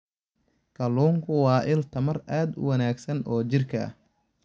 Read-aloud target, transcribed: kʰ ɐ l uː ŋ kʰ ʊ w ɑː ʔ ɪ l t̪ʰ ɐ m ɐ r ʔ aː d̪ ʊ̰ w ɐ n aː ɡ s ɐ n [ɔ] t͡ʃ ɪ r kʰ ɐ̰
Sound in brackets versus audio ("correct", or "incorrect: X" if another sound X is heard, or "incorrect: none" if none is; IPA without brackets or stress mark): incorrect: ɔː